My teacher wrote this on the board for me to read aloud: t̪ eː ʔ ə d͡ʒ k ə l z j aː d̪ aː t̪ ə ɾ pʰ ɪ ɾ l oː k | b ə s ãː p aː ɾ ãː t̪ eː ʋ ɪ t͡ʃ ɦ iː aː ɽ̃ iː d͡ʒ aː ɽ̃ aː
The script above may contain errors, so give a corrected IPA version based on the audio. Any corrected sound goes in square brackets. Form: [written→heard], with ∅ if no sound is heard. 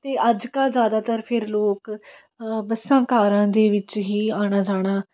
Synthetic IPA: t̪ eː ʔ ə d͡ʒ k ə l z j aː d̪ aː t̪ ə ɾ pʰ ɪ ɾ l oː k | b ə s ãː [p→k] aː ɾ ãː [t̪→d̪] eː ʋ ɪ t͡ʃ ɦ iː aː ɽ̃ [iː→aː] d͡ʒ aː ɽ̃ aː

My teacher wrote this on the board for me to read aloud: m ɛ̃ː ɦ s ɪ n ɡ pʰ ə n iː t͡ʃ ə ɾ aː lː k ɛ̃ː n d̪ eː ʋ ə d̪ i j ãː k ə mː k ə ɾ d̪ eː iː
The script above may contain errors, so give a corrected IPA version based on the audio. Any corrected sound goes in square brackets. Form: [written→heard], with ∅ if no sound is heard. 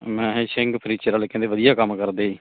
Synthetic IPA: m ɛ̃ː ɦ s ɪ [n→ŋ] ɡ pʰ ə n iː t͡ʃ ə ɾ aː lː k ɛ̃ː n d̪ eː ʋ ə d̪ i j [ãː→aː] k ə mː k ə ɾ d̪ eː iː

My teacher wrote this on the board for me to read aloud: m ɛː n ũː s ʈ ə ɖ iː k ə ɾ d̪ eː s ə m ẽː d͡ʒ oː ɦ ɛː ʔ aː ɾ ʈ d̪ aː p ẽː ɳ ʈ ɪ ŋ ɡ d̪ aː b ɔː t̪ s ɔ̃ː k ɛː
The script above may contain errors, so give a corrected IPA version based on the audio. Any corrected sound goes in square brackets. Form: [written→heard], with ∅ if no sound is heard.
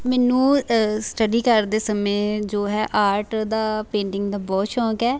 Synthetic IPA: m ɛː n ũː s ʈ ə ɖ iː k ə ɾ d̪ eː s ə m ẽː d͡ʒ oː ɦ ɛː ʔ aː ɾ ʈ d̪ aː p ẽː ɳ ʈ ɪ ŋ ɡ d̪ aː b ɔː t̪ [s→ʃ] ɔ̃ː k ɛː

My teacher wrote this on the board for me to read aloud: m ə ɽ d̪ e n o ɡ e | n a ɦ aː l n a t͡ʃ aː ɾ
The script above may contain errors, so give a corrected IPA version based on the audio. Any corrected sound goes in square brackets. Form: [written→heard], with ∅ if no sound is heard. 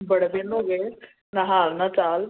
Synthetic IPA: [m→b] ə ɽ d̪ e n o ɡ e | n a ɦ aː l n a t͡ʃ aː [ɾ→l]

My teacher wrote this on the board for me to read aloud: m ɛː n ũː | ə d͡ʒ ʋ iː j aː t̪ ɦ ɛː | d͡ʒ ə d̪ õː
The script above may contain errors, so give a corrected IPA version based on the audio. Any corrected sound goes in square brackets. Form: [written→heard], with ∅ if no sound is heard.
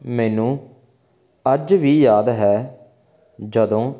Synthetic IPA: m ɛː n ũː | ə d͡ʒ ʋ iː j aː [t̪→d̪] ɦ ɛː | d͡ʒ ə d̪ õː

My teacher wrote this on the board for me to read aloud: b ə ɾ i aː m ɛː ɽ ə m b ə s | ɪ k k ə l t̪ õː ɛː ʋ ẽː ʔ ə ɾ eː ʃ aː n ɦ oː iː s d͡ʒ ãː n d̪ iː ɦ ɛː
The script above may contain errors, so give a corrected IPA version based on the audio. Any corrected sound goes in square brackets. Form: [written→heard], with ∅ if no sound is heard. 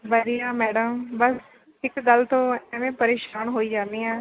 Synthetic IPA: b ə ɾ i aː m ɛː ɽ ə m b ə s | ɪ k [k→ɡ] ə l t̪ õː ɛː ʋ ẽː [ʔ→p] ə ɾ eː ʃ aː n ɦ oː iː [s→∅] d͡ʒ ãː n d̪ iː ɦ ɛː

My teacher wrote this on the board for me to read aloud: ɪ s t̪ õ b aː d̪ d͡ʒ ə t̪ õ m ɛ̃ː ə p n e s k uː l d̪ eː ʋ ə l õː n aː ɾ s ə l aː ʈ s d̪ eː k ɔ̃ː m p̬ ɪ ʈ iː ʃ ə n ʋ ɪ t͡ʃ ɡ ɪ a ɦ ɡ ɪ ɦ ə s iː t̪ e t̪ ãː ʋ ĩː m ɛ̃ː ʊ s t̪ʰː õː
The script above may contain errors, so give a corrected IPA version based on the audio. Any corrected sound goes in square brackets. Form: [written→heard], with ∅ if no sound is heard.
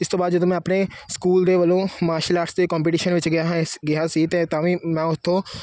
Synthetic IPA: ɪ s t̪ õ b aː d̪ d͡ʒ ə [t̪→d̪] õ m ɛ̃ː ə p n e s k uː l d̪ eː ʋ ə l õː [n→m] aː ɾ [s→ʃ] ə l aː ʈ s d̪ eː k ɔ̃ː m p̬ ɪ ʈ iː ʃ ə n ʋ ɪ t͡ʃ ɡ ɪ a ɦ ɡ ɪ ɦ [ə→a] s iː t̪ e t̪ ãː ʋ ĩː m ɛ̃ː ʊ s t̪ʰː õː

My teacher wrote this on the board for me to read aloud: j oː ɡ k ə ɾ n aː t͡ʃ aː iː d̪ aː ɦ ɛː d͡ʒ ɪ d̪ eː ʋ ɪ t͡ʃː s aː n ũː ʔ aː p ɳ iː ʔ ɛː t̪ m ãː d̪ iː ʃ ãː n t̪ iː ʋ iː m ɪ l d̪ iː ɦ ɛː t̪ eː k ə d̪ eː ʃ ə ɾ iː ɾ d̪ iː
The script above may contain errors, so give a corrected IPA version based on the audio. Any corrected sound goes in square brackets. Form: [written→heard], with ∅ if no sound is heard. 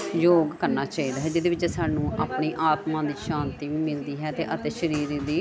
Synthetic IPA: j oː ɡ k ə ɾ n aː t͡ʃ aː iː d̪ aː ɦ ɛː d͡ʒ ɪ d̪ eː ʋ ɪ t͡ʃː s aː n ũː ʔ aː p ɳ iː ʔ [ɛː→aː] t̪ m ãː d̪ iː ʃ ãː n t̪ iː ʋ iː m ɪ l d̪ iː ɦ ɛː t̪ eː [k→ʔ] ə [d̪→t̪] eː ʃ ə ɾ iː ɾ d̪ iː

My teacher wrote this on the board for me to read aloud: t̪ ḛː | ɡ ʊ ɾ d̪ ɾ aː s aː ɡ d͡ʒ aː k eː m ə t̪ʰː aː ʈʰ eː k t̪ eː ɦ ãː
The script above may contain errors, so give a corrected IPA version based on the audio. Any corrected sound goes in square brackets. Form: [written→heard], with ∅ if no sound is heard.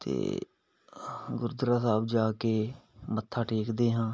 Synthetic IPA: t̪ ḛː | ɡ ʊ ɾ d̪ ɾ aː s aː [ɡ→b] d͡ʒ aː k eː m ə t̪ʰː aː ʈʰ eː k [t̪→d̪] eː ɦ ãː

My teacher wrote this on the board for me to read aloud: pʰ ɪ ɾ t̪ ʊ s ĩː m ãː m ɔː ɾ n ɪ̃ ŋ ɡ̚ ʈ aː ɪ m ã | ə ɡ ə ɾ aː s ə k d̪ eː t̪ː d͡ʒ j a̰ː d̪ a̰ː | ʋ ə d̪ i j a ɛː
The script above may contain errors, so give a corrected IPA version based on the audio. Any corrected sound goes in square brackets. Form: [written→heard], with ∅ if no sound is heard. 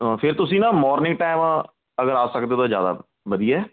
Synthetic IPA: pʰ ɪ ɾ t̪ ʊ s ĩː [m→n] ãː m ɔː ɾ n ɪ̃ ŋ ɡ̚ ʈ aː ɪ m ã | ə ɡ ə ɾ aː s ə k d̪ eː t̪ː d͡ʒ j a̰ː d̪ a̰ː | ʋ ə d̪ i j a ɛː

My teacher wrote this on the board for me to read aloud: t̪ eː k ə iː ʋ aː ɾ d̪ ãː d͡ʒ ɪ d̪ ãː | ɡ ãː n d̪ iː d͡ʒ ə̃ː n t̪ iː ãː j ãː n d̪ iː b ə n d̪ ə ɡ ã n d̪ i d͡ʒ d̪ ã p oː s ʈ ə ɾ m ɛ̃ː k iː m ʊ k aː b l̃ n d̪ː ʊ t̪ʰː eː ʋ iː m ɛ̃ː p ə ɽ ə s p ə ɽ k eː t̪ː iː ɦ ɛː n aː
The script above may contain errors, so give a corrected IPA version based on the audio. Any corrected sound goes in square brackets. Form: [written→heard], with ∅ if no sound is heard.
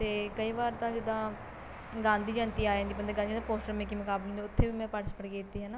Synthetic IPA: t̪ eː k ə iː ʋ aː ɾ [d̪→t̪] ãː d͡ʒ ɪ d̪ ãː | ɡ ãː n d̪ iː d͡ʒ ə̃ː n t̪ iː [ãː→aː] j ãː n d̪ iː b ə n d̪ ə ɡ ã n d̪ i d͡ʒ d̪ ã p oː s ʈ ə ɾ m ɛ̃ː k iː m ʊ k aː b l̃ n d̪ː ʊ t̪ʰː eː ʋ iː m ɛ̃ː p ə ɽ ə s p ə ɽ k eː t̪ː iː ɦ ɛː n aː

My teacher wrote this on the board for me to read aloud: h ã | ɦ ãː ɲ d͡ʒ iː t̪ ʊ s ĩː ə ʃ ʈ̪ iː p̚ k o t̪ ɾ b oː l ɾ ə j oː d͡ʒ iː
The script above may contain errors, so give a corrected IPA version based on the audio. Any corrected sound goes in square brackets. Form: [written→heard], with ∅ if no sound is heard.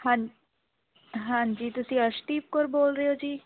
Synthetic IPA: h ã | ɦ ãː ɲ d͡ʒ iː t̪ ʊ s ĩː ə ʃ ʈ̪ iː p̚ k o [t̪→∅] ɾ b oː l ɾ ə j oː d͡ʒ iː

